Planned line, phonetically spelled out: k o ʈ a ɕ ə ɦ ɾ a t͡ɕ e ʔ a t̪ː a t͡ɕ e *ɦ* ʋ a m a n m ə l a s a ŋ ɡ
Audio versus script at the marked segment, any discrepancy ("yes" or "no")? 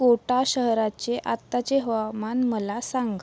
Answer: no